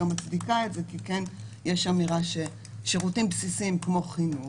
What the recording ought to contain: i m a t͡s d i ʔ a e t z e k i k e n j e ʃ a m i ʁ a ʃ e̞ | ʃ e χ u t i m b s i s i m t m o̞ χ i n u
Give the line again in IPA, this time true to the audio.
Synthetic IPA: a m a t͡s d i k a e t z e k i k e n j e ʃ a m i ʁ a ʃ e̞ | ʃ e ʁ u t i m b s i s i m k m o̞ χ i n u